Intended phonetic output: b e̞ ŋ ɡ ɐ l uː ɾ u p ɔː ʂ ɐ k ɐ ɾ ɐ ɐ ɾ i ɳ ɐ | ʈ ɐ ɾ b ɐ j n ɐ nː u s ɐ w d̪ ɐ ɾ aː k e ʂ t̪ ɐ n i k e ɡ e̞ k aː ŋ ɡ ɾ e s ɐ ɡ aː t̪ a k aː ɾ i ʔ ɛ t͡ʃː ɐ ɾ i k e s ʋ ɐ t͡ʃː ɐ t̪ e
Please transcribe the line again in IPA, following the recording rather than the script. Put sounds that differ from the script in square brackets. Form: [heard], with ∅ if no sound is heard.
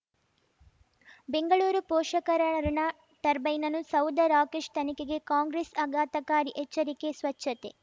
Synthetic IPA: b e̞ ŋ ɡ ɐ [ɭ] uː ɾ u p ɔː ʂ ɐ k ɐ ɾ ɐ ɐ ɾ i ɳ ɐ | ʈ ɐ ɾ b ɐ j n ɐ [n] u s ɐ w d̪ ɐ ɾ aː k e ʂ t̪ ɐ n i k e ɡ e̞ k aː ŋ ɡ ɾ e s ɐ ɡ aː t̪ [ɐ] k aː ɾ i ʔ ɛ t͡ʃː ɐ ɾ i k e s ʋ ɐ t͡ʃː ɐ t̪ e